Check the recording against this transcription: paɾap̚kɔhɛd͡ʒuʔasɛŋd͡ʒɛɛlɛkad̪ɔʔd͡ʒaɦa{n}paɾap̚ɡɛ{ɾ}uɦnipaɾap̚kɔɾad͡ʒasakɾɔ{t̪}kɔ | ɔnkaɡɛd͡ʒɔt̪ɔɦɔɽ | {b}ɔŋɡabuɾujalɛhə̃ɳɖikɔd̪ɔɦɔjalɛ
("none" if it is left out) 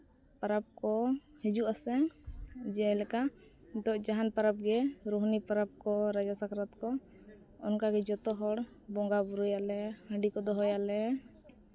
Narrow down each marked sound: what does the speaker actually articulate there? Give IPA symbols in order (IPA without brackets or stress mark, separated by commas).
n, ɾ, t̪, b